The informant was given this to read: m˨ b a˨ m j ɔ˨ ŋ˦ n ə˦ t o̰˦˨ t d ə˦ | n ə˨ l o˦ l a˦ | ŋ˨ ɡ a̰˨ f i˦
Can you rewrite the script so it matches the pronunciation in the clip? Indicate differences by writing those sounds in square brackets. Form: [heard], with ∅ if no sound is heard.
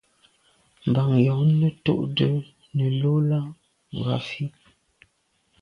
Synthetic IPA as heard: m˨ b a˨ [ŋ] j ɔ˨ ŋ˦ n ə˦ t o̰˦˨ [ʔ] d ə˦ | n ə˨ l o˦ l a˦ | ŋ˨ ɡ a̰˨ f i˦